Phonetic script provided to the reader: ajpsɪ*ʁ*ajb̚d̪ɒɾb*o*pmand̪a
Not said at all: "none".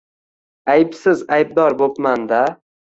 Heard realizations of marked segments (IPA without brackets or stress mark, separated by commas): z, o